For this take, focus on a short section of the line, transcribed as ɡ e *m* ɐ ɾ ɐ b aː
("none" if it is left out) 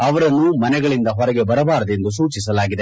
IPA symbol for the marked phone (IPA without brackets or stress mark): b